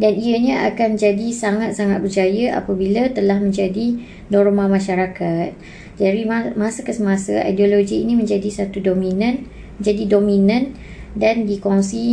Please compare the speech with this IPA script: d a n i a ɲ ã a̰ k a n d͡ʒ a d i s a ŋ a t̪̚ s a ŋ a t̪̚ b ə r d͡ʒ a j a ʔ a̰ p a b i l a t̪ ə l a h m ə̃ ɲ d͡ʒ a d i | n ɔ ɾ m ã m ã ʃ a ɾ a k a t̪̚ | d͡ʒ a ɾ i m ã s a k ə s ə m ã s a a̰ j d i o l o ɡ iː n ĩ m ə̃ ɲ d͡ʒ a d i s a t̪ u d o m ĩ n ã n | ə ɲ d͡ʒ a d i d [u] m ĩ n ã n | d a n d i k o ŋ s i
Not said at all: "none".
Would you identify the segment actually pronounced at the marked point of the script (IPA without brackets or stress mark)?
o